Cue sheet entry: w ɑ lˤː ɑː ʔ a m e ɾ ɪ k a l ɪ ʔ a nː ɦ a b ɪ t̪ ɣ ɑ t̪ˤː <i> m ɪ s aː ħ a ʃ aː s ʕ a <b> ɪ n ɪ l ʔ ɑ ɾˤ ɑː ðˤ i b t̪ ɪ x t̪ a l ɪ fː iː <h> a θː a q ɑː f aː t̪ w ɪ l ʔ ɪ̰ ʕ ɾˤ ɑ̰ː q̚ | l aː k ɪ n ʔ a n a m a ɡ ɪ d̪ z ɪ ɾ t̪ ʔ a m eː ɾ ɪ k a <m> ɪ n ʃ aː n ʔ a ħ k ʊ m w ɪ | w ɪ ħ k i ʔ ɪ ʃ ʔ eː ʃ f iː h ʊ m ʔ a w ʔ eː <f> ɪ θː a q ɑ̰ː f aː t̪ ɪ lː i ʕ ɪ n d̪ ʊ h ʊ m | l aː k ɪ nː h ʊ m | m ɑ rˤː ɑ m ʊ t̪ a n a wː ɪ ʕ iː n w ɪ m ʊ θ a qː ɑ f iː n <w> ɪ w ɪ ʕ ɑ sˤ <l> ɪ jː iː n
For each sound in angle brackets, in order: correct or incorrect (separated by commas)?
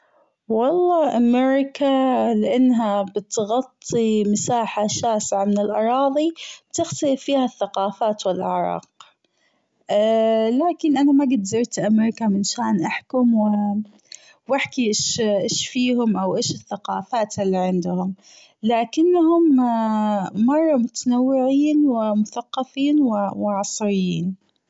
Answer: correct, incorrect, correct, correct, incorrect, correct, incorrect